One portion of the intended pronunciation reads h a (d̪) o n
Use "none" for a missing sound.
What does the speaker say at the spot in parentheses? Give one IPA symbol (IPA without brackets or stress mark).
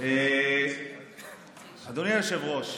d̪